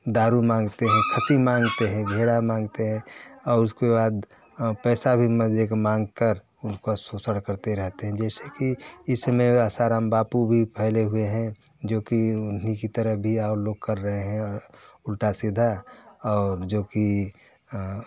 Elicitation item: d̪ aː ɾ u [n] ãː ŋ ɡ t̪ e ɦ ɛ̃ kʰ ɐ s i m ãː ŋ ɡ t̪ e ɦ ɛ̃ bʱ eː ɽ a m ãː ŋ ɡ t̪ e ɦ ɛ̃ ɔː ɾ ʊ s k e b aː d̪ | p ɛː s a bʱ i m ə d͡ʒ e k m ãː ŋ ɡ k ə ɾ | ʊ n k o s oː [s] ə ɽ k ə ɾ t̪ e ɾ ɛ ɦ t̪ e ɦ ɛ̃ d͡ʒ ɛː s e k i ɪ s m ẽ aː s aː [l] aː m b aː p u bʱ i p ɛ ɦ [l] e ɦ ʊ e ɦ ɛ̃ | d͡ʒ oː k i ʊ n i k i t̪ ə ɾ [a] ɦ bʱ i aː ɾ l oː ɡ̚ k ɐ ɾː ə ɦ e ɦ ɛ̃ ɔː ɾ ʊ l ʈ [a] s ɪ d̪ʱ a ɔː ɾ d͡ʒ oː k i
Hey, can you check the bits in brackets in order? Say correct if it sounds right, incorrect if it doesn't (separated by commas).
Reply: incorrect, correct, incorrect, correct, incorrect, correct